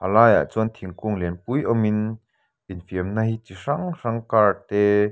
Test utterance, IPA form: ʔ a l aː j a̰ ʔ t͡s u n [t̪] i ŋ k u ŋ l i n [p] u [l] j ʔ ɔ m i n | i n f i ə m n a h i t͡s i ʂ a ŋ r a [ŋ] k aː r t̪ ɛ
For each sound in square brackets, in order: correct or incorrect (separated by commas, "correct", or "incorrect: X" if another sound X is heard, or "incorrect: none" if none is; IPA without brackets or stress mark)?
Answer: incorrect: t̪ʰ, correct, incorrect: none, correct